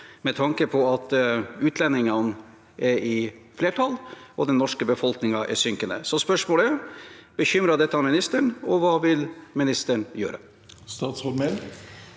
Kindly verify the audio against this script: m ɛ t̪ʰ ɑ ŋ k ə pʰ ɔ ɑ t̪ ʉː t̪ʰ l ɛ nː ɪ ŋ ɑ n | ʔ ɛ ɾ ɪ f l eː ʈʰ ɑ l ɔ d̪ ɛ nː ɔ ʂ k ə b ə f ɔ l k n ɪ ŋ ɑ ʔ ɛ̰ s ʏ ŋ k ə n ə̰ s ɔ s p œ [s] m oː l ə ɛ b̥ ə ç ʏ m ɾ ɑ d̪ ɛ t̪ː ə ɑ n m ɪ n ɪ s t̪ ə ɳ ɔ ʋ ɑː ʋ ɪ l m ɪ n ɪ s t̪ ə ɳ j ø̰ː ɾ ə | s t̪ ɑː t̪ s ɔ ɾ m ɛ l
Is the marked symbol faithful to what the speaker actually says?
no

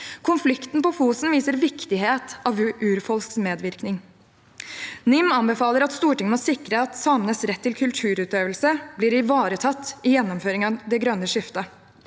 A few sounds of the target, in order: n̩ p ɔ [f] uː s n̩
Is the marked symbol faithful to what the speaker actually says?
yes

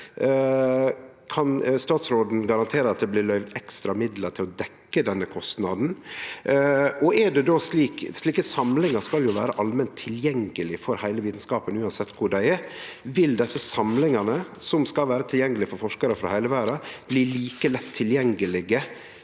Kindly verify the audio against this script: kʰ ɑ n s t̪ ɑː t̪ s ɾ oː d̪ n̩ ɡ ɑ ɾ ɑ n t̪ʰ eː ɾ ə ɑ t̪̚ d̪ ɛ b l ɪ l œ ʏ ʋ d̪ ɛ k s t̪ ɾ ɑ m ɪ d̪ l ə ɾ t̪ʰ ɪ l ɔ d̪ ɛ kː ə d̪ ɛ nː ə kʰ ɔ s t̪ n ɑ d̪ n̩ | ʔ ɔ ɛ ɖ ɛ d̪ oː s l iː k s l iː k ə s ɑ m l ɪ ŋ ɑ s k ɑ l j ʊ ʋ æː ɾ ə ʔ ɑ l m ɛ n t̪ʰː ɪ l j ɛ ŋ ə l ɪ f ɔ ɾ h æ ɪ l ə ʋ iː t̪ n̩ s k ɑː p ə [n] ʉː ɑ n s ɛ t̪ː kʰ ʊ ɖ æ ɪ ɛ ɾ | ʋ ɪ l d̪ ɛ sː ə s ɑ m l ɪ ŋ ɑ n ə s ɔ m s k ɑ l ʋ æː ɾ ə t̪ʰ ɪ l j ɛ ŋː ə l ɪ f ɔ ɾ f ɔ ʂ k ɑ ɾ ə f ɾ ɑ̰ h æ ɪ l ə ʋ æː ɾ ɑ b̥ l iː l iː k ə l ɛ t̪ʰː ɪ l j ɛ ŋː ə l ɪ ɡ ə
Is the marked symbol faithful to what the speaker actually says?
yes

